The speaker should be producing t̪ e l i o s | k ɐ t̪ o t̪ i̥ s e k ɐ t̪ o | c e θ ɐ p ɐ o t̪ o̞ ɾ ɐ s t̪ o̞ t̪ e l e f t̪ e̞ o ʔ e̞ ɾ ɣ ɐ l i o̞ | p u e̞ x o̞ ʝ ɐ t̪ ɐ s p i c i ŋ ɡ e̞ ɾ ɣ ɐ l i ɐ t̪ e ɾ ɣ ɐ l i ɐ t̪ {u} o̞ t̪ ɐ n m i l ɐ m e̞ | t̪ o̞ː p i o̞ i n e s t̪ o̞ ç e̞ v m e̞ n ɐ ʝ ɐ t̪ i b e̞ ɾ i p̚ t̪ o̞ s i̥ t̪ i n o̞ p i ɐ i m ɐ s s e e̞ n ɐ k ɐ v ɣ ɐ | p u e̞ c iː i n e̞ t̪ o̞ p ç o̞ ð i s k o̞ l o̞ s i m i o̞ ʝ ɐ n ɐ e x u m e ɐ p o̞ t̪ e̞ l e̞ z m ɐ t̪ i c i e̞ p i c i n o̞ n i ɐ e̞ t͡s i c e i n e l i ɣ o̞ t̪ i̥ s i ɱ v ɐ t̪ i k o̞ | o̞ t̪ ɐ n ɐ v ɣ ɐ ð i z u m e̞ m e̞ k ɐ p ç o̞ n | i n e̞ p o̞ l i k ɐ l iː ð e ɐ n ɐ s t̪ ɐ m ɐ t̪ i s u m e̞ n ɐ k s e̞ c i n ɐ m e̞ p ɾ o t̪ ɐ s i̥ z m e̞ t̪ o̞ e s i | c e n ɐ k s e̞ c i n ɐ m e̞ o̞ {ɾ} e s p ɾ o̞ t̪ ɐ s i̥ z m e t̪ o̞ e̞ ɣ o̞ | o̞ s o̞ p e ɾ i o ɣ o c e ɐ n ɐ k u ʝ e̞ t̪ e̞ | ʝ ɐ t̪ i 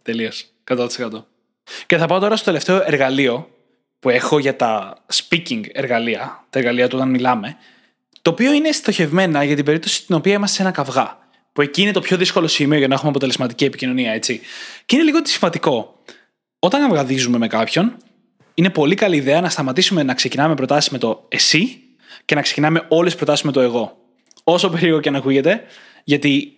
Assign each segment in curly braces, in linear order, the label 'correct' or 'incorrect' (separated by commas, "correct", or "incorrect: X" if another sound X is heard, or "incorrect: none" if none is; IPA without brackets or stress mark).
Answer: correct, incorrect: l